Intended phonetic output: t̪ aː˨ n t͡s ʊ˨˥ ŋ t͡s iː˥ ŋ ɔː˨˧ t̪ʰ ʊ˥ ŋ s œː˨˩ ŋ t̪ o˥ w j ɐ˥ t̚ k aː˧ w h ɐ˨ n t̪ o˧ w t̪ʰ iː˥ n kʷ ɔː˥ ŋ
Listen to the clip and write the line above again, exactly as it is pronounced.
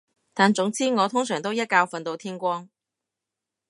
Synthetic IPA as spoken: t̪ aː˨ n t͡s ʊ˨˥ ŋ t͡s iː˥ ŋ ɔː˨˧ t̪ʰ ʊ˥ ŋ s œː˨˩ ŋ t̪ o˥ w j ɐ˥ t̚ k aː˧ w f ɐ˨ n t̪ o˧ w t̪ʰ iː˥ n kʷ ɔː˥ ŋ